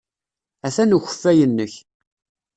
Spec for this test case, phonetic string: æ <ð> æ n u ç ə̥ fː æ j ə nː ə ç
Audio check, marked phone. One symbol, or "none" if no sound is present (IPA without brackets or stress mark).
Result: θ